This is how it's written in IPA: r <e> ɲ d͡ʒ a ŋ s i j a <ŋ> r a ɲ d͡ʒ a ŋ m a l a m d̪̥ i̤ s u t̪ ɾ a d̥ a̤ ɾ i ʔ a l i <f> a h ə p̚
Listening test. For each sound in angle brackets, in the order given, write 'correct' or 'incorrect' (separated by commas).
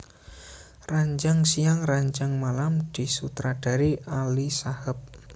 incorrect, correct, incorrect